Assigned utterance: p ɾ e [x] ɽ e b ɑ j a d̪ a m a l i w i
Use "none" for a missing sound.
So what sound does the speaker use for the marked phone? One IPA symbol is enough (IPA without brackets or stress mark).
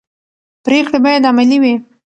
k